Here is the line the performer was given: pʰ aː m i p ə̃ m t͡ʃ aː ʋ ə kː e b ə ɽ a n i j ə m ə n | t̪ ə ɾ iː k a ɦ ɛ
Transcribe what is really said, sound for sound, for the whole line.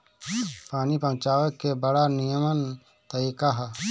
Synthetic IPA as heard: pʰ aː n i p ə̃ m t͡ʃ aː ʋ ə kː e b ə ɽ a n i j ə m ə n | t̪ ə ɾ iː k a ɦ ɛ